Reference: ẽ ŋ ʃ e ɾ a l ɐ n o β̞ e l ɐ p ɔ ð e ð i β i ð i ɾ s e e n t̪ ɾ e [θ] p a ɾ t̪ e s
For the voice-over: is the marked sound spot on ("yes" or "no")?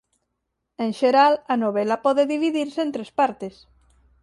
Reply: no